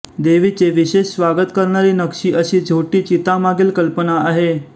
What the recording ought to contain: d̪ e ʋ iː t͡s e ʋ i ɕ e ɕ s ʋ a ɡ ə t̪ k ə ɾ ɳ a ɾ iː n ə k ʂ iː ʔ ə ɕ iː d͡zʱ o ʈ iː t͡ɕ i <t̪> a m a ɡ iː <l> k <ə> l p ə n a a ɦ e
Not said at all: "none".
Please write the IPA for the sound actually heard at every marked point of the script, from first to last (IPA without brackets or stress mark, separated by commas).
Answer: t̪, l, ə